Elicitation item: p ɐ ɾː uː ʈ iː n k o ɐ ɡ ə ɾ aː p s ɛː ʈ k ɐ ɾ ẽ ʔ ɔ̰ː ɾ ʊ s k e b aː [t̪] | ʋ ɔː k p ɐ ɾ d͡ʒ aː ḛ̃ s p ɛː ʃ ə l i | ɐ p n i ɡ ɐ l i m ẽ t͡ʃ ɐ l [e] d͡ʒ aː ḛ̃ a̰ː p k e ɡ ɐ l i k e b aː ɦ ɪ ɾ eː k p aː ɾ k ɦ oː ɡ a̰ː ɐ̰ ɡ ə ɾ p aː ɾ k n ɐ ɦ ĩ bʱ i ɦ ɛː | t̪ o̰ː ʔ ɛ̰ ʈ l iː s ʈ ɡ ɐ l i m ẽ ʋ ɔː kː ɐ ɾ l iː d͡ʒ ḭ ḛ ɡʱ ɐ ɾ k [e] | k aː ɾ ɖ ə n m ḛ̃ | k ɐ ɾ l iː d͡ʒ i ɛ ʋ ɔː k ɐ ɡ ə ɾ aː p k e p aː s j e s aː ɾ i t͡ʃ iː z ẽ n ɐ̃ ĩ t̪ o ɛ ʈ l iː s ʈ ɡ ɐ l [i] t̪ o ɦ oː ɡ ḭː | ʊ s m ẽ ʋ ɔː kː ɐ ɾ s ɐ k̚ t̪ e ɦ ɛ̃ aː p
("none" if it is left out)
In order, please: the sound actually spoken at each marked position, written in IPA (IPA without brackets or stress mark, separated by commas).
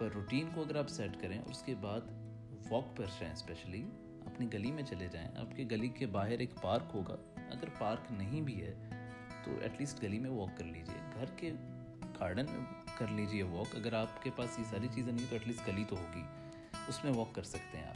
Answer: d̪, e, e, i